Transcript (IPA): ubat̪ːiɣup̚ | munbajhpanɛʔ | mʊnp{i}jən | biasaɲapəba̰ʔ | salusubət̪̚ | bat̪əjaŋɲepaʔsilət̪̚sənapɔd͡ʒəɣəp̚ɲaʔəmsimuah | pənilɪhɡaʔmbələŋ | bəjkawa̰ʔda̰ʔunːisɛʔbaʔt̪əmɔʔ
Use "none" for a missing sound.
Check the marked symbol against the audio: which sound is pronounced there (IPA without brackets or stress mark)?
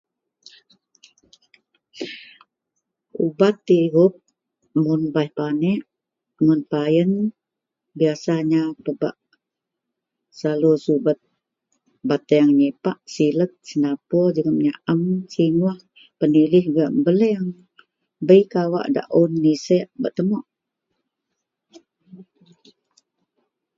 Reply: a